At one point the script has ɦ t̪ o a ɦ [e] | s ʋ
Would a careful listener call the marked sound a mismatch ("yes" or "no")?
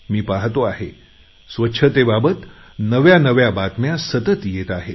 no